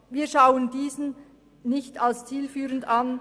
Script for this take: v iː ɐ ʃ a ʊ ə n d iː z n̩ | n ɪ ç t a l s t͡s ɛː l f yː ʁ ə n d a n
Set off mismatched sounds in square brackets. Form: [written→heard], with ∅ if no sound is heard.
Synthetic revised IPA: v iː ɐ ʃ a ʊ ə n d iː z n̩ | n ɪ ç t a l s t͡s [ɛː→iː] l f yː ʁ ə n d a n